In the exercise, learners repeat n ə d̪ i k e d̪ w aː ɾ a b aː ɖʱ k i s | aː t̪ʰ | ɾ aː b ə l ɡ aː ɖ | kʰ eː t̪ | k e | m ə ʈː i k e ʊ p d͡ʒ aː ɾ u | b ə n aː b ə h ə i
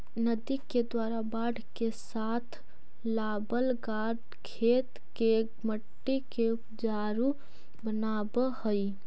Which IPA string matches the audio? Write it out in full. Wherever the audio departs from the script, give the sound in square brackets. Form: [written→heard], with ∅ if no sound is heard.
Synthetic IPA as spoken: n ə d̪ i k e d̪ w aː ɾ a b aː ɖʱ k [i→e] s | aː t̪ʰ | [ɾ→l] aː b ə l ɡ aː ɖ | kʰ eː t̪ | k e | m ə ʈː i k e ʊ p d͡ʒ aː ɾ u | b ə n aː b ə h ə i